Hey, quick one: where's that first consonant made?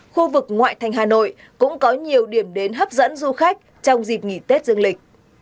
velum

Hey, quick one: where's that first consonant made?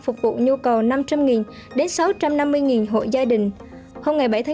lips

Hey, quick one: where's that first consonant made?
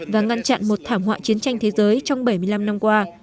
lips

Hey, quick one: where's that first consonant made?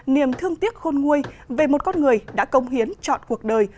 tongue tip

